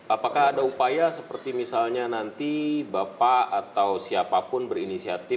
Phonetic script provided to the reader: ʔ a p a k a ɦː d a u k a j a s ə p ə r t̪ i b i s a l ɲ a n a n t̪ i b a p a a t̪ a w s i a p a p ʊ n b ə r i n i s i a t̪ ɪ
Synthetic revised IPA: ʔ a p a k a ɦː d a u p a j a s ə p ə r t̪ i m i s a l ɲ a n a n t̪ i b a p a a t̪ a w s i a p a p ʊ n b ə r i n i s i a t̪ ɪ